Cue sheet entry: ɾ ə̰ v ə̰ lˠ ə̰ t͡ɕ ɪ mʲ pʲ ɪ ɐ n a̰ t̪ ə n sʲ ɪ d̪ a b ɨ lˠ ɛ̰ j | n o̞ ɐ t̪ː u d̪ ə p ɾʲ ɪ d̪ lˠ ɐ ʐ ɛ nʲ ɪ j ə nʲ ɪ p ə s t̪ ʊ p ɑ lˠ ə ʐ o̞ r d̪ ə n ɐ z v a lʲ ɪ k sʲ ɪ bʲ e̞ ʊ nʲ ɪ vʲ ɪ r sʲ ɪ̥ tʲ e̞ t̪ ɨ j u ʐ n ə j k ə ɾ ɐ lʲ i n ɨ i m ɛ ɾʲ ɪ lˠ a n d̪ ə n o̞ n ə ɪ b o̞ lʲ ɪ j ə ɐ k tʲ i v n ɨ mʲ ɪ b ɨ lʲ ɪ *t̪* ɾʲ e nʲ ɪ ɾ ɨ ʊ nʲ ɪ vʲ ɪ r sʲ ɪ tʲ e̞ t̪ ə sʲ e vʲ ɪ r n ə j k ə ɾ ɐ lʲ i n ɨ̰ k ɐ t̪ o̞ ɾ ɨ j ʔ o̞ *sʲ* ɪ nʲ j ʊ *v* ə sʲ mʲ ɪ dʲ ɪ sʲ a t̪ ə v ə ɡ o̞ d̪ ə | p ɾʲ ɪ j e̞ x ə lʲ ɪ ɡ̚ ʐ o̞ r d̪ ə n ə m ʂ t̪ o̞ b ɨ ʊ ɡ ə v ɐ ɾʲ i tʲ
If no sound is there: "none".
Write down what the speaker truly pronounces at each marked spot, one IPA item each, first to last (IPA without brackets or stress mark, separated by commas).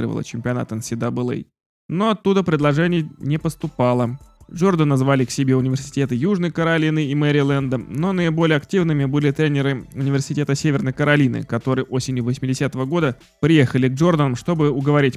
t̪, sʲ, v